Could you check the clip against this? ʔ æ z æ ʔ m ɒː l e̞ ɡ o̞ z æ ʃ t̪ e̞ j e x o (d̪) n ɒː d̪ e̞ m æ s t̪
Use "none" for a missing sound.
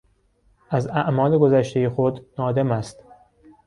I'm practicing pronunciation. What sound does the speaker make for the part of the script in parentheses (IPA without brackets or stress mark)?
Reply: d̪